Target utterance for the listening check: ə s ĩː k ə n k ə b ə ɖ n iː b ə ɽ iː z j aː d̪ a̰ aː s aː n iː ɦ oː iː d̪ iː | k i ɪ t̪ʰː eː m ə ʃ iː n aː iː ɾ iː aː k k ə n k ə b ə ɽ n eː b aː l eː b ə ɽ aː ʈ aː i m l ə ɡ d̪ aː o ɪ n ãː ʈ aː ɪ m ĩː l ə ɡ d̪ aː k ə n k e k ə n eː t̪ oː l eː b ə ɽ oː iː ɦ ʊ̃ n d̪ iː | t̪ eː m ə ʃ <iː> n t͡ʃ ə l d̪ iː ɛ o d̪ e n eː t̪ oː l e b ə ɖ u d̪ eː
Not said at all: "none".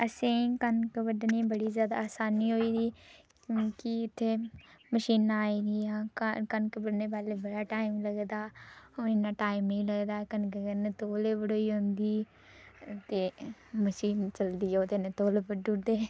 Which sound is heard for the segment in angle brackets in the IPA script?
iː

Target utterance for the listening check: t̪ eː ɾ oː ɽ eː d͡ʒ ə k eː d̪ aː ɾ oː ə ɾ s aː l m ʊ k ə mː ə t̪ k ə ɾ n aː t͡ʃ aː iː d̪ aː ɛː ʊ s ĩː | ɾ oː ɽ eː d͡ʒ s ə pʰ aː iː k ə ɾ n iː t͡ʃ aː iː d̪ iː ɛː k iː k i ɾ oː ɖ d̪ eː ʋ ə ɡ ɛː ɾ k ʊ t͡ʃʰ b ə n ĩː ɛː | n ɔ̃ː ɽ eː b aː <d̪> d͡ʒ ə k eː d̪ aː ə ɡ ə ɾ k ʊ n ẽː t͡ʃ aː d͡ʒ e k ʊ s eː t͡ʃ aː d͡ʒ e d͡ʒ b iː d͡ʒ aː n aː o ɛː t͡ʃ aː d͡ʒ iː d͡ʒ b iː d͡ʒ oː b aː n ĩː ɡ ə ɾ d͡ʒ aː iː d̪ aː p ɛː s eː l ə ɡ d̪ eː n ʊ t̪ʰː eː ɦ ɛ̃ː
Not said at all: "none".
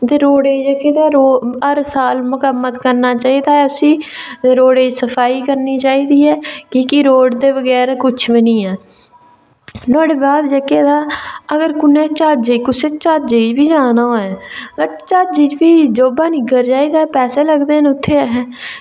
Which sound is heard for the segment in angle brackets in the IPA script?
d̪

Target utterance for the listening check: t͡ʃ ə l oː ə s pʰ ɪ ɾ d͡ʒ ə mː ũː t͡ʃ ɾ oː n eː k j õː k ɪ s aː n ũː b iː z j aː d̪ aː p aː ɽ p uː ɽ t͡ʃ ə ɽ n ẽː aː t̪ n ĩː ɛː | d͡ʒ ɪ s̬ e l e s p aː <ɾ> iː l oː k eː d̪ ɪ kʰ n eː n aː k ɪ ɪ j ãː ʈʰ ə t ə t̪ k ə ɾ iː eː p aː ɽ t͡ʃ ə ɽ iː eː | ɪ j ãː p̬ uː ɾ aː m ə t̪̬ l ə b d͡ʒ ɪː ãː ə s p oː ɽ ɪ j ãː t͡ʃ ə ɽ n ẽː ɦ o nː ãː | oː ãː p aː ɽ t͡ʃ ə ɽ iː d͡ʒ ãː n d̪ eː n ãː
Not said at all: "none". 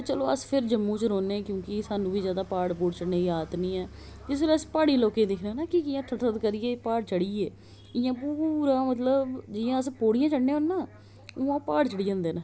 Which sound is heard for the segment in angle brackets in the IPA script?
ɽ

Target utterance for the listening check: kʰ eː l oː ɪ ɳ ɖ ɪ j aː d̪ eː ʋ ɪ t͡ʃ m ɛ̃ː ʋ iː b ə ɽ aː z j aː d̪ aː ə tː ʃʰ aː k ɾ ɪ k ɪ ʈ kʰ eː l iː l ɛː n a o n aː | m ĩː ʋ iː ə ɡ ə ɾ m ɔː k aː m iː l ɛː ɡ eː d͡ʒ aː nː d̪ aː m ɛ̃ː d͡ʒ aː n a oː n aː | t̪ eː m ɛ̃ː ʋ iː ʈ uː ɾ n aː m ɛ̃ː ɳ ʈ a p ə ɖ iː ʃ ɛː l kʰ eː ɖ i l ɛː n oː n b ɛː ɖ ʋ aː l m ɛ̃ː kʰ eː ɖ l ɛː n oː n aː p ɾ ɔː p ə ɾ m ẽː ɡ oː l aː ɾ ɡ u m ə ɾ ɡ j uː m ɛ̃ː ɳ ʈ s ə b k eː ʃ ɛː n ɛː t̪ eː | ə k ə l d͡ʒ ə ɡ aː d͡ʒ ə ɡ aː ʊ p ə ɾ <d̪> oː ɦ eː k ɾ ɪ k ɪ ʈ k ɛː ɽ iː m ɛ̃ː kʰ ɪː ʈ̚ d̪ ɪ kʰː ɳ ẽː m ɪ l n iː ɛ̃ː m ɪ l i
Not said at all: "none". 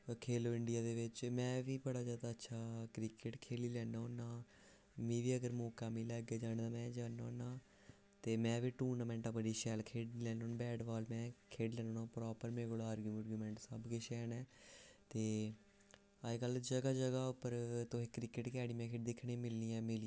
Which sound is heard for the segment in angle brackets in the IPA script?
t̪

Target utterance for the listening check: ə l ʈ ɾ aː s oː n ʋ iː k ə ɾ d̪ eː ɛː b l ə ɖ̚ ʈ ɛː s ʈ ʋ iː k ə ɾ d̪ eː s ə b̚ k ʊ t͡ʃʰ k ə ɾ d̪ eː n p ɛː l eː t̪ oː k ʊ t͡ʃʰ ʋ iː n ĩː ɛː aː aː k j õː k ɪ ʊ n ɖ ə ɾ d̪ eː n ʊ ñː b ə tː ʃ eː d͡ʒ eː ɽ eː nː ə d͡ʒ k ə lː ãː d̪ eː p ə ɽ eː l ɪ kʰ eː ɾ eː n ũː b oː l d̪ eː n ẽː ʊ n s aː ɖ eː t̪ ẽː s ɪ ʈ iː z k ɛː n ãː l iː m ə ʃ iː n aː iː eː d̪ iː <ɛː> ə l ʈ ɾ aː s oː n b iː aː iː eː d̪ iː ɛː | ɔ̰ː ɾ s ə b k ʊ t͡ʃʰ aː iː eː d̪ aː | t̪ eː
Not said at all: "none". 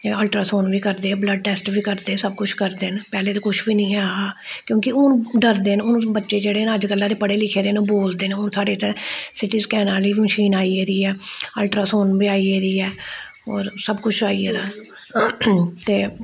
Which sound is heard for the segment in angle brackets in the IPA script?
ɛː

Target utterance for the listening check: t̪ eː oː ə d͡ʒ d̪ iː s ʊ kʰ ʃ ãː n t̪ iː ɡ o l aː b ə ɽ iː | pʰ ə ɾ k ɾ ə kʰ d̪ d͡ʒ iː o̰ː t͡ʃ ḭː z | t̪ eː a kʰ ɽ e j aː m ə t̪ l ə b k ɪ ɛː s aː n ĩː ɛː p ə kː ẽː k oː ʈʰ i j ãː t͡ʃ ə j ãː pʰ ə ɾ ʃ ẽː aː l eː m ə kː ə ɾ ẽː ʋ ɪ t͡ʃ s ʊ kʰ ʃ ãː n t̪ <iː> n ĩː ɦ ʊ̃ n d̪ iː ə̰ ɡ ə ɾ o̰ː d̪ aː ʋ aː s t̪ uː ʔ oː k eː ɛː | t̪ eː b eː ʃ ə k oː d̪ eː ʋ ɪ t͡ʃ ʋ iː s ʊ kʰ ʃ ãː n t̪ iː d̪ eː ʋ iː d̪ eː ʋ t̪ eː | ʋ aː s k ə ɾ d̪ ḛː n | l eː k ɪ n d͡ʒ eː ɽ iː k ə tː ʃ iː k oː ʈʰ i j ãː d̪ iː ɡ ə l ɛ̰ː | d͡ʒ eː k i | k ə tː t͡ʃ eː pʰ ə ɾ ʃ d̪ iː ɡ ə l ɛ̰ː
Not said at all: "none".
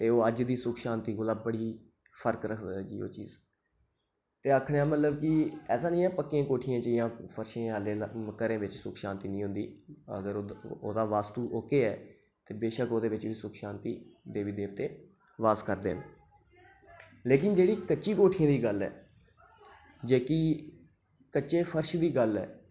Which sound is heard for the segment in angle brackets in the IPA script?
iː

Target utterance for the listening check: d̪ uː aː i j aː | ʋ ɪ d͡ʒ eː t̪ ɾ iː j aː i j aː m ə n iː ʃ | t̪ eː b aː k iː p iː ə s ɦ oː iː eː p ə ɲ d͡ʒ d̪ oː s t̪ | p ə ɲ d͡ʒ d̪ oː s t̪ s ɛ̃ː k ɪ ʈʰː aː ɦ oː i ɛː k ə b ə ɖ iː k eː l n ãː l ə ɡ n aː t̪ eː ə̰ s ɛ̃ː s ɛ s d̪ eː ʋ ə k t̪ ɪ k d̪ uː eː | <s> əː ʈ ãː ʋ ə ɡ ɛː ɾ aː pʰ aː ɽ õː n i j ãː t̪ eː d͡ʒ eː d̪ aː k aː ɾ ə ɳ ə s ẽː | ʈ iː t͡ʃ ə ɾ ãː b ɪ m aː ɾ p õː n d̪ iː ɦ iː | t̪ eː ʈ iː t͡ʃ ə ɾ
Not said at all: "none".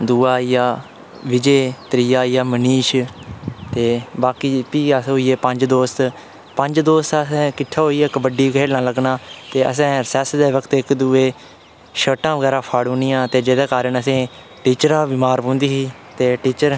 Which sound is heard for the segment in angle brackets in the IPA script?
ʃ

